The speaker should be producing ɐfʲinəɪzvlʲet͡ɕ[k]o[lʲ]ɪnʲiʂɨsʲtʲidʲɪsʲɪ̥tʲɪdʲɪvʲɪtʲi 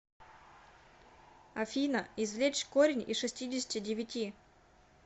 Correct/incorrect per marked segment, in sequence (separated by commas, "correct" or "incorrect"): correct, incorrect